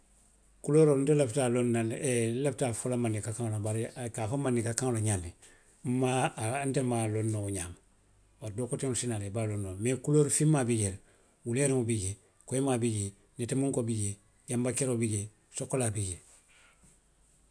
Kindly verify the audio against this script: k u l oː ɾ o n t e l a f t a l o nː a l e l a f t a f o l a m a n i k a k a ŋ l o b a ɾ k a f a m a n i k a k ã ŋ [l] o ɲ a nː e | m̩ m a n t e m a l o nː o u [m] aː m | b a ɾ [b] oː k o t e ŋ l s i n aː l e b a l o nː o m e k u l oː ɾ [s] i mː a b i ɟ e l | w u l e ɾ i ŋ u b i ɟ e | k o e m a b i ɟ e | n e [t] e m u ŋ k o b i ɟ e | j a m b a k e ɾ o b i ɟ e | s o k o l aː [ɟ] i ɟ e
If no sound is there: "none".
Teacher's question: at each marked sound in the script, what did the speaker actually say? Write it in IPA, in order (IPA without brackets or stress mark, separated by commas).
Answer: l, ɲ, d, f, t, b